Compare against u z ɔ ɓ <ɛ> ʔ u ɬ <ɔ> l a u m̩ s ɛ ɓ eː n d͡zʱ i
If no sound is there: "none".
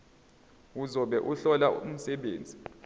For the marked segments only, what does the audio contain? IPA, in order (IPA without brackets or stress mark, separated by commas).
ɛ, ɔ